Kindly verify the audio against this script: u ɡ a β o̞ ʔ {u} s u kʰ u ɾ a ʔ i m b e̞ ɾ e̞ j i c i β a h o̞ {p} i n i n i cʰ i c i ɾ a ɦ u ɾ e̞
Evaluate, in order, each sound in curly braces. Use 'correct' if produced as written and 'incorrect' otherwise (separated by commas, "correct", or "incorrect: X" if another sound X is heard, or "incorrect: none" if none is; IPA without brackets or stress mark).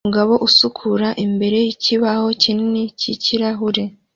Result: correct, incorrect: c